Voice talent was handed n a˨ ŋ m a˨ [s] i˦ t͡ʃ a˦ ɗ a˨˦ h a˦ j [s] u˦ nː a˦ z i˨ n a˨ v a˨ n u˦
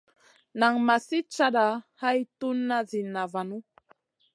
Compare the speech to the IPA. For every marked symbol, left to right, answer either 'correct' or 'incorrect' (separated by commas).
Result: correct, incorrect